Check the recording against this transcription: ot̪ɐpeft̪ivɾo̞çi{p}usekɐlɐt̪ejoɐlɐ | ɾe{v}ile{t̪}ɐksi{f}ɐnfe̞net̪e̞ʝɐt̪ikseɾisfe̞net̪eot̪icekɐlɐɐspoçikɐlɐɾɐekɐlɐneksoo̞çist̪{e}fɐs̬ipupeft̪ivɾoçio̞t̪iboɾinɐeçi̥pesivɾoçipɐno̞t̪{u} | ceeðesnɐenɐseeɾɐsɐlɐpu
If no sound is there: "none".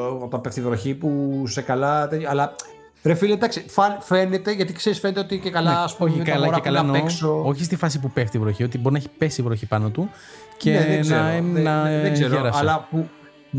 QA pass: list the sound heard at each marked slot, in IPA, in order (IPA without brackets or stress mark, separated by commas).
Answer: p, f, d̪, f, i, u